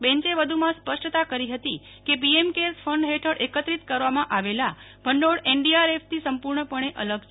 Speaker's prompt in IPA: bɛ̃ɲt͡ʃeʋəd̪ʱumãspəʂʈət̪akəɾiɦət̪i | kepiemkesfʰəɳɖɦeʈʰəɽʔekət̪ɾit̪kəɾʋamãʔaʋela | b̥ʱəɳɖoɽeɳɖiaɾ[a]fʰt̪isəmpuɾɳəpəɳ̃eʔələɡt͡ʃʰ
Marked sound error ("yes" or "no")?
yes